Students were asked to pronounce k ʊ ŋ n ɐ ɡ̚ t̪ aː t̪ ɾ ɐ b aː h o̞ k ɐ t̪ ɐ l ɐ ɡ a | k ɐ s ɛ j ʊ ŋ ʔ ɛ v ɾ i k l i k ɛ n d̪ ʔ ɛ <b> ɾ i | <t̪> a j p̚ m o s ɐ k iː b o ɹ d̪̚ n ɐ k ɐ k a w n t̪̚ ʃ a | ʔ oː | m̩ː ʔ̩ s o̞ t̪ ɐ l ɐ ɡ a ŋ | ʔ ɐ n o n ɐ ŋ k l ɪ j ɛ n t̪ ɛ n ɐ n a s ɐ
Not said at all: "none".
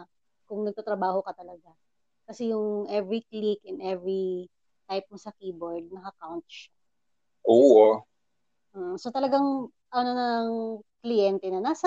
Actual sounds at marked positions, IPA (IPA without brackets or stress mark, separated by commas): v, t̪